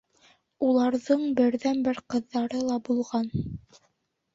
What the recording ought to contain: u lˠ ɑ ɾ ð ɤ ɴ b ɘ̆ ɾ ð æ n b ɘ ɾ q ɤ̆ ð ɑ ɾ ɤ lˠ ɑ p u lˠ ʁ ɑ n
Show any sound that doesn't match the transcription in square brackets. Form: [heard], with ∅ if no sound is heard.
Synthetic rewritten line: u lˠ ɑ ɾ ð ɤ ɴ b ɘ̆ ɾ ð æ n b ɘ ɾ q ɤ̆ [ðː] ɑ ɾ ɤ lˠ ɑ [b] u lˠ ʁ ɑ n